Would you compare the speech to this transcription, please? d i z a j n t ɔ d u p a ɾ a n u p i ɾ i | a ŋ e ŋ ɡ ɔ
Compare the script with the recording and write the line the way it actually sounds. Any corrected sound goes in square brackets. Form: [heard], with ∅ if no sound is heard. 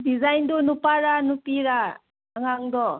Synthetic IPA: d i z a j n [d] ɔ [n] u p a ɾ a n u p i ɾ [a] | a ŋ [a] ŋ [d] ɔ